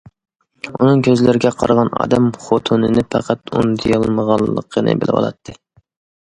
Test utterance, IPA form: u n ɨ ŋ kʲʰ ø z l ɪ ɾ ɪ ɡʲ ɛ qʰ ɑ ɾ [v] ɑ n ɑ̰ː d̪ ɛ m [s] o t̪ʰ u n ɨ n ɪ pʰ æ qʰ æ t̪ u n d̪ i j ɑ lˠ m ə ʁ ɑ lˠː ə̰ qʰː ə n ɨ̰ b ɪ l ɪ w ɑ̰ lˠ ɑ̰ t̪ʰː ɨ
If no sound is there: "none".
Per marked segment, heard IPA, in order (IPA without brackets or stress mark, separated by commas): ʁ, χ